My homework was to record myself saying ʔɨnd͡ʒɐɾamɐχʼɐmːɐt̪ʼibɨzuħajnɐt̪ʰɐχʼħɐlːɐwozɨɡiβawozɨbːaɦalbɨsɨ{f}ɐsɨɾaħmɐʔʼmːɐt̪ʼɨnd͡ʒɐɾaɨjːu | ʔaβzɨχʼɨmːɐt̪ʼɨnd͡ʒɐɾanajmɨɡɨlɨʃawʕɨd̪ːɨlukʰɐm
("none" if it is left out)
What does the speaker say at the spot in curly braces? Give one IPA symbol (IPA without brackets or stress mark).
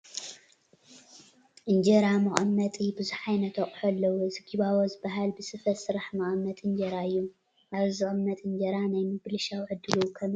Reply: f